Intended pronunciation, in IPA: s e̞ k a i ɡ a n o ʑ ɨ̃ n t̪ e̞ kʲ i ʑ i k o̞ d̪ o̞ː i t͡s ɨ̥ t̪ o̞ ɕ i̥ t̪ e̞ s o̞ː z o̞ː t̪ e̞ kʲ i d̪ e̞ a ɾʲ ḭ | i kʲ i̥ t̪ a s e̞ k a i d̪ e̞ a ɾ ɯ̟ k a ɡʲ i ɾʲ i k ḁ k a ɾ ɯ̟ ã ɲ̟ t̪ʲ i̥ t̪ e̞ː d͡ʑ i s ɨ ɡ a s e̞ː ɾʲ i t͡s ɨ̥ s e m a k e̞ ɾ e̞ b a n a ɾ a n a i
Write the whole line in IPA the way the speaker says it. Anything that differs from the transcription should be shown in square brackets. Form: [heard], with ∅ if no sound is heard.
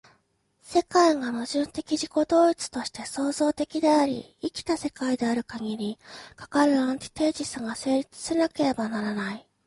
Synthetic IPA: s e̞ k a i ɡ a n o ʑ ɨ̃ n t̪ e̞ kʲ i ʑ i k o̞ d̪ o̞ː i t͡s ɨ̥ t̪ o̞ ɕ i̥ t̪ e̞ s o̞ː z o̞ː t̪ e̞ kʲ i d̪ e̞ a ɾʲ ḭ | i kʲ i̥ t̪ a s e̞ k a i d̪ e̞ a ɾ ɯ̟ k a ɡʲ i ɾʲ i k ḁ k a ɾ ɯ̟ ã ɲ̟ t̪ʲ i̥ t̪ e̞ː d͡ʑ i s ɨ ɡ a s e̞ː ɾʲ i t͡s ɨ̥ s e [n] a k e̞ ɾ e̞ b a n a ɾ a n a i